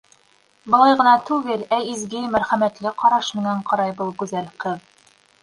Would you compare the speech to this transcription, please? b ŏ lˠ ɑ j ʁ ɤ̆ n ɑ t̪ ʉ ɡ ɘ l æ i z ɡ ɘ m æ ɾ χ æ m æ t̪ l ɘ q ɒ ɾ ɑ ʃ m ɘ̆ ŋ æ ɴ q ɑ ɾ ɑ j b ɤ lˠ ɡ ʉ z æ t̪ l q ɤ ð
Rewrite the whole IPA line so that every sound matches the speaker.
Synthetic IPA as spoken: b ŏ lˠ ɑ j ʁ ɤ̆ n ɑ t̪ ʉ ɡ ɘ l æ i z ɡ ɘ m æ ɾ χ æ m æ t̪ l ɘ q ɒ ɾ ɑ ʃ m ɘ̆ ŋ æ ɴ q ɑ ɾ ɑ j b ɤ lˠ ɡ ʉ z æ l q ɤ ð